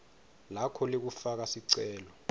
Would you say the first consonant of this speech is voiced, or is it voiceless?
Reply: voiced